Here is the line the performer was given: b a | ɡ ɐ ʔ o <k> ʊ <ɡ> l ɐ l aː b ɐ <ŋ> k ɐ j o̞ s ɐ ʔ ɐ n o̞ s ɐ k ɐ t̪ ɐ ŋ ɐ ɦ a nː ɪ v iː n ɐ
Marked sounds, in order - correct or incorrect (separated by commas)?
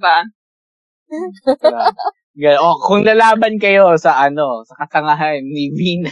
correct, incorrect, incorrect